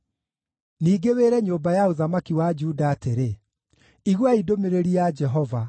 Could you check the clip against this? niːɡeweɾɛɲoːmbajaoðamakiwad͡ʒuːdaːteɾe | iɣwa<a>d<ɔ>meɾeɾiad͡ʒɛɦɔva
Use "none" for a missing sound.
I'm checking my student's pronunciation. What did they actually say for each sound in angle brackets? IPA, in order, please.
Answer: i, o

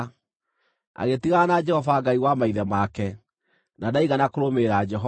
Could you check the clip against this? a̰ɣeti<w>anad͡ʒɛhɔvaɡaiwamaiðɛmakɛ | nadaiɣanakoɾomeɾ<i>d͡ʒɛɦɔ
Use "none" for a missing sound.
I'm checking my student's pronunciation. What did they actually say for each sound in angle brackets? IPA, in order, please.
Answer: ɣ, a

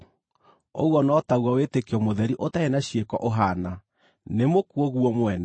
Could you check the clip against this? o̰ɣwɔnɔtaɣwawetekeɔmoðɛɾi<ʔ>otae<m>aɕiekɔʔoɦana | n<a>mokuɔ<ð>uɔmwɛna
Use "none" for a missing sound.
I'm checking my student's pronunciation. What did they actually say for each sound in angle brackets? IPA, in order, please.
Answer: ʔ, n, e, ɣ

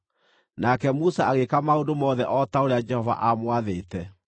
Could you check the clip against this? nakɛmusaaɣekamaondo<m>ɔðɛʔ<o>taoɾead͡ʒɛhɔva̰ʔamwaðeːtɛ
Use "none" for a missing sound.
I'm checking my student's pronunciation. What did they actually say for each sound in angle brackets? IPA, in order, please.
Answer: m, ɔ

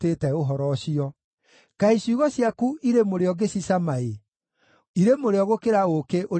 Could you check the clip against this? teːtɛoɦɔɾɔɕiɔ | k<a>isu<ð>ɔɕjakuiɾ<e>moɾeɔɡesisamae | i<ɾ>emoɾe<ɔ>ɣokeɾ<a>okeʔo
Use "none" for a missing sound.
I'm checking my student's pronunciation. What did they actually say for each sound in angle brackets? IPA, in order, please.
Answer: a, ɣ, e, ɾ, ɔ, a

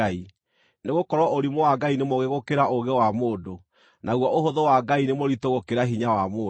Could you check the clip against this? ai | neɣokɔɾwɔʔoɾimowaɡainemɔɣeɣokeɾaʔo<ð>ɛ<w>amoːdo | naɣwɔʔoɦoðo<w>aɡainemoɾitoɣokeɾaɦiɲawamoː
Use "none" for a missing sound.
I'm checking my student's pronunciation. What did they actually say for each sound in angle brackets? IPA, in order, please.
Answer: ɣ, w, w

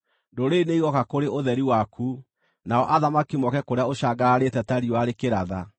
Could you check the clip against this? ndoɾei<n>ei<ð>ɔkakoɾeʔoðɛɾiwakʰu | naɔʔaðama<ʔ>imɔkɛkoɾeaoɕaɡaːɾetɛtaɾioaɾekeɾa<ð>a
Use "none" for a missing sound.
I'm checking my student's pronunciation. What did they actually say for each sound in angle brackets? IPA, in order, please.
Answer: n, ɣ, k, ð

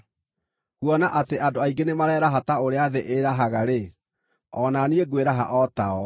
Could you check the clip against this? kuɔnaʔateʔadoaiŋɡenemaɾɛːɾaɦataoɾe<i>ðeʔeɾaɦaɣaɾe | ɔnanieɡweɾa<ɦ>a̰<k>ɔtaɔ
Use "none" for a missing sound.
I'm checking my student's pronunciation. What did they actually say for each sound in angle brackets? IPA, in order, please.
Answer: a, ɦ, ʔ

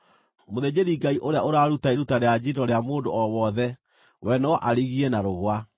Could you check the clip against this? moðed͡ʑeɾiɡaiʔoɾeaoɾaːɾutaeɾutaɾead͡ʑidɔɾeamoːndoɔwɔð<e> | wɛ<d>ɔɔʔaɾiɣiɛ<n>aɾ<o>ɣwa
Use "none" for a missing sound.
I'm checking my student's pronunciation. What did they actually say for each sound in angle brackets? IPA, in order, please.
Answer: ɛ, n, n, o

